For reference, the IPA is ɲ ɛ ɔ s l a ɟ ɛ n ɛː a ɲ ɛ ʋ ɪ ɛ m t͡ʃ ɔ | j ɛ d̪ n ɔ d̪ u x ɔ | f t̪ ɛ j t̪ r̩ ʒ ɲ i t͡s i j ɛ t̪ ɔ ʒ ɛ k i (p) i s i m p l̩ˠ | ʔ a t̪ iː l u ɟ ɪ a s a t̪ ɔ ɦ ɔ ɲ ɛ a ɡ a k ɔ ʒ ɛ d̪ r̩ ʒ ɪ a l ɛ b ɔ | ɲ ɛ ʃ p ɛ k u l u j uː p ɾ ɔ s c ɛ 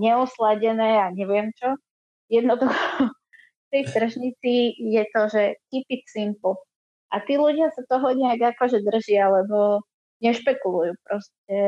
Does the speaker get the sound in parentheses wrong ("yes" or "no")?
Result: no